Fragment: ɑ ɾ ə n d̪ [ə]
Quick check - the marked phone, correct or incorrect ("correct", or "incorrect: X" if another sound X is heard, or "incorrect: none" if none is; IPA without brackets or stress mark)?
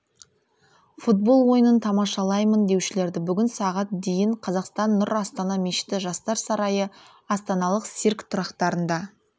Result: incorrect: ɑ